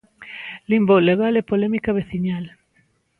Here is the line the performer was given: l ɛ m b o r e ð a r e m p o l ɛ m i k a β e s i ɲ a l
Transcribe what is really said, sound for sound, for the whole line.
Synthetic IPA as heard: l i m b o l e ɣ a l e p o l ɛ m i k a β e θ i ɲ a l